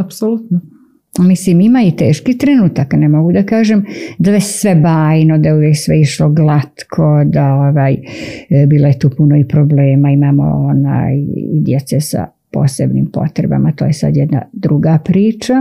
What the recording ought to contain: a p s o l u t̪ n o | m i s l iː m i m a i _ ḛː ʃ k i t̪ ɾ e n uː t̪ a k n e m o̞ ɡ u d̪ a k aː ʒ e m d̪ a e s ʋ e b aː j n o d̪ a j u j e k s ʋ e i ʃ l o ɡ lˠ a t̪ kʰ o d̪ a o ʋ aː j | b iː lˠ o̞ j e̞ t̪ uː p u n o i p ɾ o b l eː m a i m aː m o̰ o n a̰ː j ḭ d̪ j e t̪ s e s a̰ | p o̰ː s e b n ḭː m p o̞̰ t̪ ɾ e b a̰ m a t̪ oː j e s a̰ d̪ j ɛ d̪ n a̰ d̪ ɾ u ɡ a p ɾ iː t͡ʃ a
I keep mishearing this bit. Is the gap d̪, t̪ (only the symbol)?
t̪